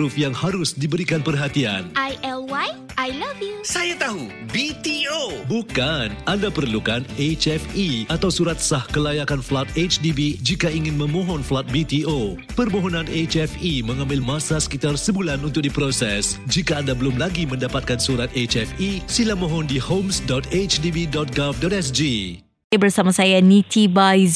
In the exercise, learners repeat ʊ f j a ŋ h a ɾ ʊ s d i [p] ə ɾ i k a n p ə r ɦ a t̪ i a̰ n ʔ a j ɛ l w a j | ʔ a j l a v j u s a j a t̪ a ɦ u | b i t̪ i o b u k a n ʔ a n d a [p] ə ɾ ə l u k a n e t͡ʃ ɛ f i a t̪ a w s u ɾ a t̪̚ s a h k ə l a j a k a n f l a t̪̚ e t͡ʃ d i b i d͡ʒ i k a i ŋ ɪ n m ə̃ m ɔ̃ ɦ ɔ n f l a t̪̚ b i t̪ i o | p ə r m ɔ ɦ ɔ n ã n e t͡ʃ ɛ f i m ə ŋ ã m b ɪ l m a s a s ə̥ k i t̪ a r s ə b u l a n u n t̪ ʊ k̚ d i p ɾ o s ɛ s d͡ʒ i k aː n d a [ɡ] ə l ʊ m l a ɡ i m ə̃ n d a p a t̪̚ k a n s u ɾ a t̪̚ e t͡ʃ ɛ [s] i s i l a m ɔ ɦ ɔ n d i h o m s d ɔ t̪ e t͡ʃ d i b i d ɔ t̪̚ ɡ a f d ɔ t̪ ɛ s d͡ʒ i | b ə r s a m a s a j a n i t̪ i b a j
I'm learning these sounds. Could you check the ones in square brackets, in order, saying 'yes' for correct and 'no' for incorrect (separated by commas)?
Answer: no, yes, no, no